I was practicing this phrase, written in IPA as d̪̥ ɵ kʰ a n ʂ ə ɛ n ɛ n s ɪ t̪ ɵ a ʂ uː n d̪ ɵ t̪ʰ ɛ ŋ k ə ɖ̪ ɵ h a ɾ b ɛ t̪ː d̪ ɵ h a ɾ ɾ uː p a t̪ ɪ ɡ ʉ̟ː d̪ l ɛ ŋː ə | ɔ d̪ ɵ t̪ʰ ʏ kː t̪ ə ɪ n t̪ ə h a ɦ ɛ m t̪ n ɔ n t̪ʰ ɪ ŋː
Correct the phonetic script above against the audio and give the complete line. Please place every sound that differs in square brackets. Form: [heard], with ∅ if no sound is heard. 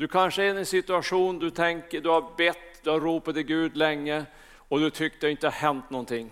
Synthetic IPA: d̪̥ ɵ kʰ a n ʂ ə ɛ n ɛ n s ɪ t̪ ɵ a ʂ uː n d̪ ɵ t̪ʰ ɛ ŋ k ə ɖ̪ ɵ h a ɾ b ɛ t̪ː d̪ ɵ h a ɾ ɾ uː p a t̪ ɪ ɡ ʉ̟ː d̪ l ɛ ŋː ə | ɔ d̪ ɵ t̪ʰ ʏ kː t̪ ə ɪ n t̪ ə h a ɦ ɛ [n] t̪ n ɔ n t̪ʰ ɪ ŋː